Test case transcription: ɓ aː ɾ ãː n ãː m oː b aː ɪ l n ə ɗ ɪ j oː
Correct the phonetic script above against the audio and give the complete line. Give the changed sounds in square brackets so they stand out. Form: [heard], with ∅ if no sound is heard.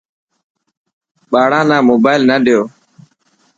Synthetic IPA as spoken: ɓ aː [ɽ] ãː n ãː m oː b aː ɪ l n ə ɗ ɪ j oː